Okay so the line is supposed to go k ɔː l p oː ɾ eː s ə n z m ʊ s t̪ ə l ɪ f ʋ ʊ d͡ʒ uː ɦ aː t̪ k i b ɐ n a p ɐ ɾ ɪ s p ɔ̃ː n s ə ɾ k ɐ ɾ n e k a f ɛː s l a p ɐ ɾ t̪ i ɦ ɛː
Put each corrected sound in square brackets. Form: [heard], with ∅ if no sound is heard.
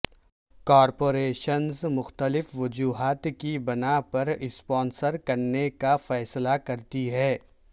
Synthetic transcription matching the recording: k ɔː [ɾ] p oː ɾ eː [ʃ] ə n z m ʊ [x] t̪ ə l ɪ f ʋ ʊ d͡ʒ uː ɦ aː t̪ k i b ɐ n a p ɐ ɾ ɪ s p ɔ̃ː n s ə ɾ k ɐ ɾ n e k a f ɛː s l a [k] ɐ ɾ t̪ i ɦ ɛː